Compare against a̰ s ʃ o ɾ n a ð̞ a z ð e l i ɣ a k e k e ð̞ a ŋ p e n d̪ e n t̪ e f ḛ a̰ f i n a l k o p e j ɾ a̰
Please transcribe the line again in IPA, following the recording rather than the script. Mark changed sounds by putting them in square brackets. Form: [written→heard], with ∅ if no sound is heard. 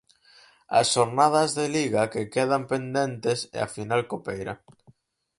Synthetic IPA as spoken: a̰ s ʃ o ɾ n a ð̞ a z ð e l i ɣ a k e k e ð̞ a [ŋ→m] p e n d̪ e n t̪ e [f→s] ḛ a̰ f i n a l k o p e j ɾ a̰

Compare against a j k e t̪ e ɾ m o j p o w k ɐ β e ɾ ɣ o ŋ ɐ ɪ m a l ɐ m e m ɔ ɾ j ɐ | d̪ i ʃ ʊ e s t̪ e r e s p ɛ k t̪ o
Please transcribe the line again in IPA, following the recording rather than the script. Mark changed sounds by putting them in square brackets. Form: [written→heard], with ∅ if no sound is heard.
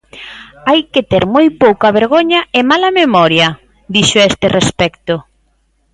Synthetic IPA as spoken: a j k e t̪ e ɾ m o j p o w k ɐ β e ɾ ɣ o [ŋ→ɲ] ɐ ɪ m a l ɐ m e m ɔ ɾ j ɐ | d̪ i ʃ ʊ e s t̪ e r e s p ɛ k t̪ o

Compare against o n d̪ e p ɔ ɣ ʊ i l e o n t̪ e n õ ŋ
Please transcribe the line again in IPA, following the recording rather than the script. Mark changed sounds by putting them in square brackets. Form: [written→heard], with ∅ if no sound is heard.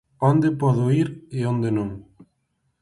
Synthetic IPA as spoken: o n d̪ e p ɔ [ɣ→ð] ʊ i [l→ɾ] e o n [t̪→d̪] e n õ ŋ

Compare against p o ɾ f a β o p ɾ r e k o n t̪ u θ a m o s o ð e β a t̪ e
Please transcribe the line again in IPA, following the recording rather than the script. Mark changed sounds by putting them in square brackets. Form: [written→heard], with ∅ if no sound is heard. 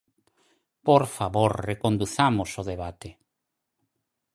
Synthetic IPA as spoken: p o ɾ f a β o [p→∅] ɾ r e k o n [t̪→d̪] u θ a m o s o ð e β a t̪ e

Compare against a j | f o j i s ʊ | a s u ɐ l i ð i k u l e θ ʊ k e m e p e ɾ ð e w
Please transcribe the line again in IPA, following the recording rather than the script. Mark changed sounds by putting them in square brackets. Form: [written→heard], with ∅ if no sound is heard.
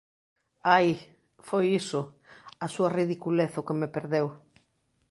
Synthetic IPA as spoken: a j | f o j i s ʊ | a s u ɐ [l→r] i ð i k u l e θ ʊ k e m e p e ɾ ð e w

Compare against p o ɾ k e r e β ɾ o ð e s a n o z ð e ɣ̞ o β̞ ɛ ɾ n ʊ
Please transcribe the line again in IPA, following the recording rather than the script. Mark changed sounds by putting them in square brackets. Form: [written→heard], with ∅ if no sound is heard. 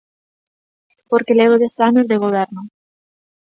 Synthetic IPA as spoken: p o ɾ k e [r→l] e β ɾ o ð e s a n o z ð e ɣ̞ o β̞ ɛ ɾ n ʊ

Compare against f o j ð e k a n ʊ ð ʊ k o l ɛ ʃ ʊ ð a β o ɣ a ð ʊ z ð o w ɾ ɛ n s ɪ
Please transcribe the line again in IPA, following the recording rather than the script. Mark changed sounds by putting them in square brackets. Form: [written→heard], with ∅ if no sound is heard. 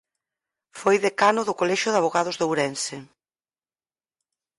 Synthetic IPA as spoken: f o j ð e k a n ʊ ð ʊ k o l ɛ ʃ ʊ ð a β o ɣ a ð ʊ z ð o w ɾ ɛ n s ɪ

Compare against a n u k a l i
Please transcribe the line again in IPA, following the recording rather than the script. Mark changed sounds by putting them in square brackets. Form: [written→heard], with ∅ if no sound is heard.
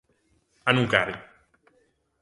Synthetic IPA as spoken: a n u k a [l→ɾ] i

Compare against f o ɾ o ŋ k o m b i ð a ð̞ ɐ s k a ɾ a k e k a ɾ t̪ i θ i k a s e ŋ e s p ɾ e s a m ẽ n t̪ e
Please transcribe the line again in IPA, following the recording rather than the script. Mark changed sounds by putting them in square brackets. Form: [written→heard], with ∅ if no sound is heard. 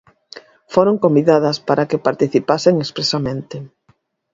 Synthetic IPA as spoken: f o ɾ o ŋ k o m b i ð a ð̞ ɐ s [k→p] a ɾ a k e [k→p] a ɾ t̪ i θ i [k→p] a s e ŋ e s p ɾ e s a m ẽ n t̪ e

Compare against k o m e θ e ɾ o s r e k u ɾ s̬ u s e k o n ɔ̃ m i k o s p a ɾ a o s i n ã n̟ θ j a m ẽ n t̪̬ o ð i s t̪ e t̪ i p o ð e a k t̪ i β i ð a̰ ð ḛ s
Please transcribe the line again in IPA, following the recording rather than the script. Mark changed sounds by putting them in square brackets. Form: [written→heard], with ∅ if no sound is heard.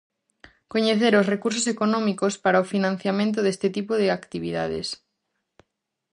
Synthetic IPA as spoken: k o [m→ɲ] e θ e ɾ o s r e k u ɾ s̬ [u→o] s e k o n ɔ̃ m i k o s p a ɾ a o [s→f] i n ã n̟ θ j a m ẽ n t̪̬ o ð [i→e] s t̪ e t̪ i p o ð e a k t̪ i β i ð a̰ ð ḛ s

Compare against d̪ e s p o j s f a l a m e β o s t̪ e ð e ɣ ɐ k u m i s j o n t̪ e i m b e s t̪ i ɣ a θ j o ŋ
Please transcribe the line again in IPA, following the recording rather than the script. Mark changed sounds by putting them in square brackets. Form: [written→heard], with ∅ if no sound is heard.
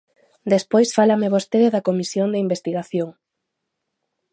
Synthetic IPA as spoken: d̪ e s p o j s f a l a m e β o s t̪ e ð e [ɣ→ð] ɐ k [u→o] m i s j o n [t̪→d̪] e i m b e s t̪ i ɣ a θ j o ŋ

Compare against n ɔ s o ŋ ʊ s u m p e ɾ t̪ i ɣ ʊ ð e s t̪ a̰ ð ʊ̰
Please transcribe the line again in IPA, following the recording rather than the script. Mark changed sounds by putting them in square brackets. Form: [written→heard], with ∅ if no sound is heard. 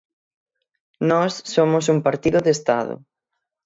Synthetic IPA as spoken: n ɔ [s→sː] o [ŋ→m] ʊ s u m p [e→a] ɾ t̪ i [ɣ→ð] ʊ ð e s t̪ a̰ ð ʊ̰

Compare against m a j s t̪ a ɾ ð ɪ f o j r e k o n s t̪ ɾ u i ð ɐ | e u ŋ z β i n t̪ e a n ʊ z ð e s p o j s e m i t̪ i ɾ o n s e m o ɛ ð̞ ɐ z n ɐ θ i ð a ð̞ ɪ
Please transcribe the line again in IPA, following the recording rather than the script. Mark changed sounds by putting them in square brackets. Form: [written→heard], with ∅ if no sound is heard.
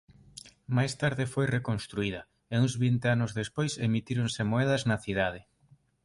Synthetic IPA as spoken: m a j s t̪ a ɾ ð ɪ f o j r e k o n s t̪ ɾ u i ð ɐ | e u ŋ z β i n t̪ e a n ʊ z ð e s p o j s e m i t̪ i ɾ o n s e m o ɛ ð̞ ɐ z n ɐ θ i ð a ð̞ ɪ

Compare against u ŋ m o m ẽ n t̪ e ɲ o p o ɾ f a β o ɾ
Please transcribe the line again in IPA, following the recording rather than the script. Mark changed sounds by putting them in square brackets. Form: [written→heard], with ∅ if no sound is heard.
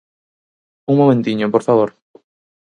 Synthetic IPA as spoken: u ŋ m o m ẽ n t̪ [e→i] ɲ o p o ɾ f a β o ɾ

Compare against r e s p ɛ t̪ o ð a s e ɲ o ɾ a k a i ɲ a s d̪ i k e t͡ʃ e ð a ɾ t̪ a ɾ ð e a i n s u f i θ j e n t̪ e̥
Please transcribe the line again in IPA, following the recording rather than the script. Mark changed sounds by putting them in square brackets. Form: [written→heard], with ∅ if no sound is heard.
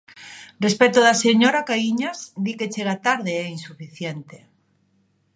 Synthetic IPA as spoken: r e s p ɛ t̪ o ð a s e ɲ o ɾ a k a i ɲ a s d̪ i k e t͡ʃ e [ð→ɣ] a [ɾ→∅] t̪ a ɾ ð e [a→ɛ] i n s u f i θ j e n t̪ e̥

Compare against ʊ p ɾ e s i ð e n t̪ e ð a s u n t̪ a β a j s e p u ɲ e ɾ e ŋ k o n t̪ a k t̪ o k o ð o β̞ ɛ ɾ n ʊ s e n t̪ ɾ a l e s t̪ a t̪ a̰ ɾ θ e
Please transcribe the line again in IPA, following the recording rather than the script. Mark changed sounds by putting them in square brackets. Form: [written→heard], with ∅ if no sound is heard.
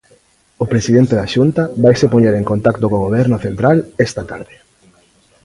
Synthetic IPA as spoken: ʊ p ɾ e s i ð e n t̪ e ð a [s→ʃ] u n t̪ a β a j s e p [u→o] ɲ e ɾ e ŋ k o n t̪ a k t̪ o k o [ð→ɣ] o β̞ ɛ ɾ n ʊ [s→θ] e n t̪ ɾ a l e s t̪ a t̪ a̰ ɾ [θ→ð] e

